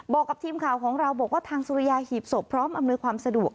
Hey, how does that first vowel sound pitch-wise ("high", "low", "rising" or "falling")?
low